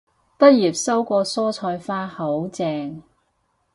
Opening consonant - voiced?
no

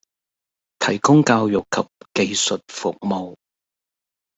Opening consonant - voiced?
no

